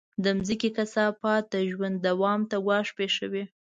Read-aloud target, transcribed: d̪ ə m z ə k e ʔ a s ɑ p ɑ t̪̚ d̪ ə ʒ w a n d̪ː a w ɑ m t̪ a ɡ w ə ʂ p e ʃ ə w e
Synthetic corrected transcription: d̪ ə m z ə k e k a s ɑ p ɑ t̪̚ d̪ ə ʒ w a n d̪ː a w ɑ m t̪ a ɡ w ɑ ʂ p e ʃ ə w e